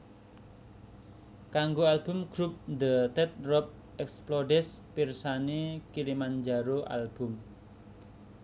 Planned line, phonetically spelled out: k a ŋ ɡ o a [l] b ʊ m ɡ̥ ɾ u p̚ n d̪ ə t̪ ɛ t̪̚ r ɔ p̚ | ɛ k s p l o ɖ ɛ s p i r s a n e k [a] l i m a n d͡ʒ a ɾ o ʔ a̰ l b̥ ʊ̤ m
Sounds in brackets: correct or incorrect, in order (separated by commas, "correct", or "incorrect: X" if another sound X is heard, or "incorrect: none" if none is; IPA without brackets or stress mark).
correct, incorrect: i